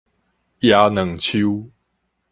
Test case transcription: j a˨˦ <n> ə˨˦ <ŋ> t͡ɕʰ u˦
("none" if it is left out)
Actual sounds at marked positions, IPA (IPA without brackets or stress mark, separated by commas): n, ŋ